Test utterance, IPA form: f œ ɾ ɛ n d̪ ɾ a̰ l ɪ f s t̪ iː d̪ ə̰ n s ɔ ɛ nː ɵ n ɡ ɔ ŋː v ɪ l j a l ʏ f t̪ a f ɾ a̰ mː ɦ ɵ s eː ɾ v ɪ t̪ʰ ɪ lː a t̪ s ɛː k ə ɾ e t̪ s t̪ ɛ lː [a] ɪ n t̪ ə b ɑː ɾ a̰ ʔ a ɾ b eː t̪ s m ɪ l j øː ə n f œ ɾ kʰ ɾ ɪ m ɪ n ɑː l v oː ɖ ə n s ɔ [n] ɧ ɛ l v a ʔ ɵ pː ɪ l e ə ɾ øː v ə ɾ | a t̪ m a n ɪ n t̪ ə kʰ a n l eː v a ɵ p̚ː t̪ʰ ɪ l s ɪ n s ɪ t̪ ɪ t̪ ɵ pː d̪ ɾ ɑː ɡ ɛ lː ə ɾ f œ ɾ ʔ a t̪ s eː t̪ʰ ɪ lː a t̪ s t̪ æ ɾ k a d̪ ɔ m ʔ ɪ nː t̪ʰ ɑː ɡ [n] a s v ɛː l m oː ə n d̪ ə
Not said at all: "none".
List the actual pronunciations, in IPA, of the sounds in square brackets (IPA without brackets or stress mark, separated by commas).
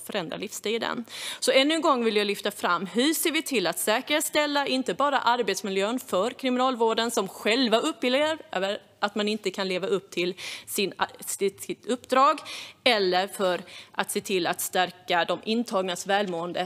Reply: a, m, n